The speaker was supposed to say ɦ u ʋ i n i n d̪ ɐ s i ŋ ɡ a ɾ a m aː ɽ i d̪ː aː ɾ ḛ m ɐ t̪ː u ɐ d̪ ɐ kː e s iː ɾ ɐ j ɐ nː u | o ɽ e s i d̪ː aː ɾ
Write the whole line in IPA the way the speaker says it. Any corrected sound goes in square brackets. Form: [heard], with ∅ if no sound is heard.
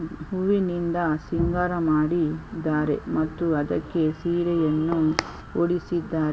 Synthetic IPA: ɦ u ʋ i n i n d̪ ɐ s i ŋ ɡ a ɾ [ɐ] m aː ɽ i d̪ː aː ɾ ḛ m ɐ t̪ː u ɐ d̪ ɐ kː e s iː ɾ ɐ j ɐ nː u | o ɽ [i] s i d̪ː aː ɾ